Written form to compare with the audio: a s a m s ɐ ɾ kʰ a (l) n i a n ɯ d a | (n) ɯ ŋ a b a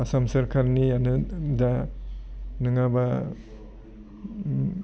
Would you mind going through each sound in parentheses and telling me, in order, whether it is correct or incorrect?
incorrect, correct

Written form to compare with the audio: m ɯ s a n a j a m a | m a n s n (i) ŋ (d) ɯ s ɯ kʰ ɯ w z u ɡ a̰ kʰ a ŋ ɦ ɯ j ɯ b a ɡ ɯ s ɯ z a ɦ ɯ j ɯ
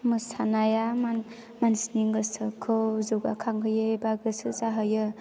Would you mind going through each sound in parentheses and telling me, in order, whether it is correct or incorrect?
correct, incorrect

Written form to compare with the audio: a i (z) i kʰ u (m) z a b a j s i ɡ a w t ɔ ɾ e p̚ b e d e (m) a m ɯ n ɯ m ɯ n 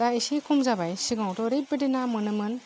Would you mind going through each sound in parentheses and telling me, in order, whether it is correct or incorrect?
incorrect, correct, incorrect

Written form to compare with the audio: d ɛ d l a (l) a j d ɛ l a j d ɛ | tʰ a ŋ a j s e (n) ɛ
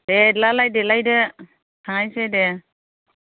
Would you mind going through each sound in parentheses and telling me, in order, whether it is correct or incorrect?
correct, incorrect

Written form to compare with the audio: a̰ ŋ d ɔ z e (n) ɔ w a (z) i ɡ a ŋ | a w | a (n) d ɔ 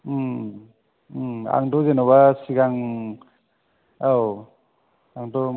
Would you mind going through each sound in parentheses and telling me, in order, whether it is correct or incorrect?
correct, incorrect, incorrect

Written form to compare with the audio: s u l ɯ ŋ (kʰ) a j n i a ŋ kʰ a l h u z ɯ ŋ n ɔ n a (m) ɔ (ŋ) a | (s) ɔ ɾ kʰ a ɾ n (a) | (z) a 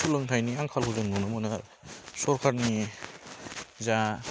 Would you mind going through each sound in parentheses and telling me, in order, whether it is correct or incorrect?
incorrect, correct, incorrect, correct, incorrect, correct

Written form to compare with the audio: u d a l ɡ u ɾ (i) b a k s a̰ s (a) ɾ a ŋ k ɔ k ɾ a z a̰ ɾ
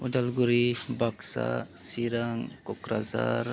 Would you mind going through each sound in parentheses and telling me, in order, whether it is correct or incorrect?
correct, incorrect

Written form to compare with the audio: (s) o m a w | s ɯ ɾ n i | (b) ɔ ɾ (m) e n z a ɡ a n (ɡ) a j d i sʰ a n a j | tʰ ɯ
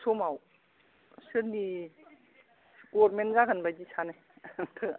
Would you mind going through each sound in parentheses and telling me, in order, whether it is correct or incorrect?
correct, incorrect, correct, incorrect

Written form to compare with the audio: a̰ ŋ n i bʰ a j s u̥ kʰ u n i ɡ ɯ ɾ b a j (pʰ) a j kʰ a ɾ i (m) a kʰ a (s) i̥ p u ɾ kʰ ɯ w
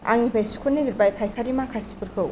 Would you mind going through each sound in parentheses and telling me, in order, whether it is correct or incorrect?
correct, correct, correct

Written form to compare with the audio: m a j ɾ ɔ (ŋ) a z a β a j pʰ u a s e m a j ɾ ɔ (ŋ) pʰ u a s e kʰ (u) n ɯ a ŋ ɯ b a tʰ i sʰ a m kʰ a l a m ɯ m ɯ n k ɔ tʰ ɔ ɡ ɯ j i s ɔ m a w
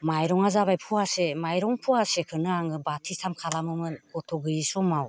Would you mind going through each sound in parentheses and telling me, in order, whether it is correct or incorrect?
correct, correct, incorrect

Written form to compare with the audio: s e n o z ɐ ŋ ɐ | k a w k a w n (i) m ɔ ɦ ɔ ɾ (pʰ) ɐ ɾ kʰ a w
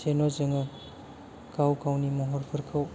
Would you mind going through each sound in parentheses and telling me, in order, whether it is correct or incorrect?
correct, correct

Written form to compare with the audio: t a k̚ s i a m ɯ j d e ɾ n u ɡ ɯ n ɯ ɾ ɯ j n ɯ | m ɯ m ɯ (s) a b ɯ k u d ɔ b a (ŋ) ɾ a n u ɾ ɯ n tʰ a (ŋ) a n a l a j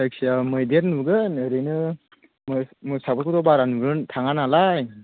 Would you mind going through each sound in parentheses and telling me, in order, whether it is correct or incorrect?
correct, incorrect, correct

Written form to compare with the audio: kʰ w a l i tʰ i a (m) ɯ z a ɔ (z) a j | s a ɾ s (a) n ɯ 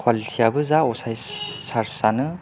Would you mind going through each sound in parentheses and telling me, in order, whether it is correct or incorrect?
incorrect, incorrect, correct

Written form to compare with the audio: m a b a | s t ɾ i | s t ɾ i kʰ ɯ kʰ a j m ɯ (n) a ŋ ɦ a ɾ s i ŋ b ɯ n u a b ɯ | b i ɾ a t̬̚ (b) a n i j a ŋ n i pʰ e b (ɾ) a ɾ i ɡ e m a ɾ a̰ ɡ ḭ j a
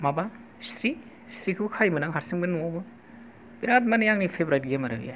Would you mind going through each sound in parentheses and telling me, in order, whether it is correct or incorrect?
correct, incorrect, correct

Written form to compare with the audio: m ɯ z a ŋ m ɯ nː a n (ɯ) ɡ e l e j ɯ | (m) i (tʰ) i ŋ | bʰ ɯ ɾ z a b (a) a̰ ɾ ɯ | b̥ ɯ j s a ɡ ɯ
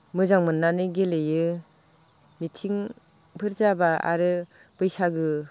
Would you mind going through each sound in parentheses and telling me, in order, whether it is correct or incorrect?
correct, correct, correct, correct

